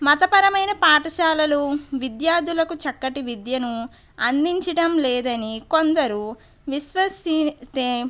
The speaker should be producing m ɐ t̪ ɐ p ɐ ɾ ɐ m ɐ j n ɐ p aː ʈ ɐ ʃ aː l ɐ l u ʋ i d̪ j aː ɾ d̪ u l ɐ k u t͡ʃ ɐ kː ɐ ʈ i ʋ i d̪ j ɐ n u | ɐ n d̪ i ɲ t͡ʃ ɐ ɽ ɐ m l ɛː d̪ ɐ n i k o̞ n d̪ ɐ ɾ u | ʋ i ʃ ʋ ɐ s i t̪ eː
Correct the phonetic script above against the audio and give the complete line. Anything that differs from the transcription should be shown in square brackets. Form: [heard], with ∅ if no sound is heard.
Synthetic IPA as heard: m ɐ t̪ ɐ p ɐ ɾ ɐ m ɐ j n ɐ p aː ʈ ɐ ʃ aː l ɐ l u ʋ i d̪ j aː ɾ d̪ u l ɐ k u t͡ʃ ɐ kː ɐ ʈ i ʋ i d̪ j ɐ n u | ɐ n d̪ i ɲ t͡ʃ ɐ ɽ ɐ m l ɛː d̪ ɐ n i k o̞ n d̪ ɐ ɾ u | ʋ i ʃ ʋ ɐ s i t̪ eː